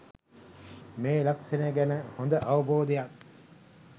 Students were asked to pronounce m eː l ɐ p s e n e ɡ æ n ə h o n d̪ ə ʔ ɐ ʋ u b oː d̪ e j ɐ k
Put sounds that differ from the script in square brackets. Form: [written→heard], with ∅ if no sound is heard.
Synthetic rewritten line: m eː l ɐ [p→k] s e n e ɡ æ n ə h o n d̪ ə ʔ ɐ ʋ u b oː d̪ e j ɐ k